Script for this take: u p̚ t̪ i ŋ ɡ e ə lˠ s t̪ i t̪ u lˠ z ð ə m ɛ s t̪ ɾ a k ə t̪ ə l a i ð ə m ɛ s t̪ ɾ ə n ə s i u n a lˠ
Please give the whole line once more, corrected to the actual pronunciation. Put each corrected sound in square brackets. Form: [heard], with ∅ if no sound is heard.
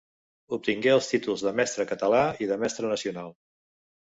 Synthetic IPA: u p̚ t̪ i ŋ ɡ e ə lˠ s t̪ i t̪ u lˠ z ð ə m ɛ s t̪ ɾ [ə] k ə t̪ ə l a i ð ə m ɛ s t̪ ɾ ə n ə s i u n a lˠ